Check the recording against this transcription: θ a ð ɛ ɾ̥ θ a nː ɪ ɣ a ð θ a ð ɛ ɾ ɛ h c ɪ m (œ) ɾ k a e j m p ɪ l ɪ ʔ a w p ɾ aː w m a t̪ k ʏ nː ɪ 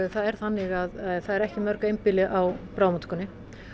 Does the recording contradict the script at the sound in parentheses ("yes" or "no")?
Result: no